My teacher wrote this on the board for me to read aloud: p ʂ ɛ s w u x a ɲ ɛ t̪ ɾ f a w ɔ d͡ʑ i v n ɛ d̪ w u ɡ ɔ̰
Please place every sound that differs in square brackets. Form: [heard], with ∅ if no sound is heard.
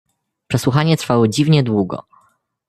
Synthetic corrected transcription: p ʂ ɛ s w u x a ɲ ɛ t̪ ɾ f a w ɔ d͡ʑ i v [ɲ] ɛ d̪ w u ɡ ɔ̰

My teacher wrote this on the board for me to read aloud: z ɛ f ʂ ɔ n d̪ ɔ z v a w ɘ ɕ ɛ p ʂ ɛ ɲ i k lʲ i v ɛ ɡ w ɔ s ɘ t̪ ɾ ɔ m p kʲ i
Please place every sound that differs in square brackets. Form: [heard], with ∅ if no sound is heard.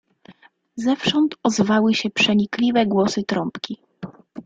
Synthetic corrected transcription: z ɛ f ʂ ɔ n [t̪] ɔ z v a w ɘ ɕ ɛ p ʂ ɛ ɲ i k lʲ i v ɛ ɡ w ɔ s ɘ t̪ ɾ ɔ m p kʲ i

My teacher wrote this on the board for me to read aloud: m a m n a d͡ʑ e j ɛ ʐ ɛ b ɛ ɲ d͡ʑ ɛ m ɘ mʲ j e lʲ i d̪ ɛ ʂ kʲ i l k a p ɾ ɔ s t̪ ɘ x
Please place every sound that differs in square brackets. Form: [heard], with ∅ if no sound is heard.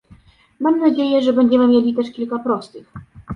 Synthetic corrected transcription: m a m n a d͡ʑ e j ɛ ʐ ɛ b ɛ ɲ d͡ʑ ɛ m ɘ mʲ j e lʲ i [t̪] ɛ ʂ kʲ i l k a p ɾ ɔ s t̪ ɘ x

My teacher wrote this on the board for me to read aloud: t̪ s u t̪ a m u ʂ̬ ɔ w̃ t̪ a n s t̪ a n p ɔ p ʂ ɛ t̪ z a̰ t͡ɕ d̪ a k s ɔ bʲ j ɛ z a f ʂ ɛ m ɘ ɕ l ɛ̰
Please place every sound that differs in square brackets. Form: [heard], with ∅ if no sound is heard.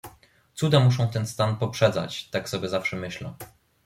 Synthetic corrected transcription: t̪ s u [d̪] a m u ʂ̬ [ɔ̃] w̃ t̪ [ɛ] n s t̪ a n p ɔ p ʂ ɛ [d̪] z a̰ t͡ɕ [t̪] a k s ɔ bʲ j ɛ z a f ʂ ɛ m ɘ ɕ l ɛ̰

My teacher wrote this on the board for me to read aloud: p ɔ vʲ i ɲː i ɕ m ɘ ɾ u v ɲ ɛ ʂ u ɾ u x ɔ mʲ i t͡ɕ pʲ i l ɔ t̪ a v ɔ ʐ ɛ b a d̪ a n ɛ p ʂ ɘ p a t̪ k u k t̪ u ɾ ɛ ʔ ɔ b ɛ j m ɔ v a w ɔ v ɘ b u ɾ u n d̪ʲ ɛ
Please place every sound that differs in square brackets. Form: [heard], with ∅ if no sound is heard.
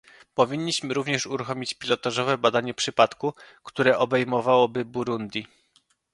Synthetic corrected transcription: p ɔ vʲ i ɲː i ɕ m ɘ ɾ u v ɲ ɛ ʂ u ɾ u x ɔ mʲ i t͡ɕ pʲ i l ɔ t̪ a [ʐ] ɔ [v] ɛ b a d̪ a [ɲ] ɛ p ʂ ɘ p a t̪ k u k t̪ u ɾ ɛ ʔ ɔ b ɛ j m ɔ v a w ɔ [b] ɘ b u ɾ u n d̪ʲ [i]

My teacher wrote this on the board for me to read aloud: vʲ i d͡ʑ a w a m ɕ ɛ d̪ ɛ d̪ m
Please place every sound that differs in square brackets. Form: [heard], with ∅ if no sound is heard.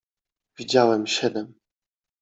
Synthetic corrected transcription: vʲ i d͡ʑ a w [ɛ] m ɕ ɛ d̪ ɛ [∅] m

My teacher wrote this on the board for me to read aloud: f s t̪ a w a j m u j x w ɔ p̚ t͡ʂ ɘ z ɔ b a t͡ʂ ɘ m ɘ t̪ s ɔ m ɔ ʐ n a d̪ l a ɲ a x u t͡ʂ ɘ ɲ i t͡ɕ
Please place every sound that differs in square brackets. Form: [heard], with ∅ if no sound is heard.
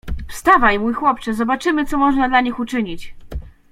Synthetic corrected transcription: f s t̪ a [v] a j m u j x w ɔ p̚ t͡ʂ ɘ z ɔ b a t͡ʂ ɘ m ɘ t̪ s ɔ m ɔ ʐ n a d̪ l a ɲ [i] x u t͡ʂ ɘ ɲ i t͡ɕ

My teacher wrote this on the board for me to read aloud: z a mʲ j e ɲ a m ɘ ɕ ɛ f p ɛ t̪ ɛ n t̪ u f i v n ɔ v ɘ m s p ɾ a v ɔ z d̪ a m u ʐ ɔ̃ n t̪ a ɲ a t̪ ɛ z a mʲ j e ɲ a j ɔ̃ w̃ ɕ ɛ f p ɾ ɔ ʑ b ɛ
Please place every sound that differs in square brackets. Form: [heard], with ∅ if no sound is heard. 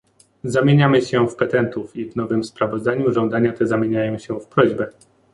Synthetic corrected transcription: z a mʲ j e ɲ a m ɘ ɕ ɛ f p ɛ t̪ ɛ n t̪ u f i v n ɔ v ɘ m s p ɾ a v ɔ z d̪ a [ɲ] u ʐ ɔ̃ n [d̪] a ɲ a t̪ ɛ z a mʲ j e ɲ a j ɔ̃ w̃ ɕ ɛ f p ɾ ɔ ʑ b ɛ

